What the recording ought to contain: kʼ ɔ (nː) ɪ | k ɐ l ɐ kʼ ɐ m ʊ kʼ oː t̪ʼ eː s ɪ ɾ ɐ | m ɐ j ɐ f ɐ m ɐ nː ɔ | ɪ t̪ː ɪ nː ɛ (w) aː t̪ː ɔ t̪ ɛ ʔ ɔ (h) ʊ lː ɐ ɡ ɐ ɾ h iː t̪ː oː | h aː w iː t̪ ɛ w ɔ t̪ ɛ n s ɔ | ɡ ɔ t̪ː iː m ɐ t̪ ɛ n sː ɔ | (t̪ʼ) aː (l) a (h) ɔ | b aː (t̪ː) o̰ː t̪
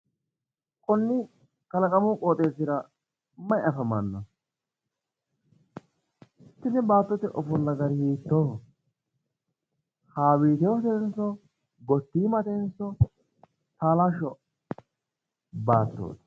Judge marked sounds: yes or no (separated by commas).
yes, no, no, no, yes, no, yes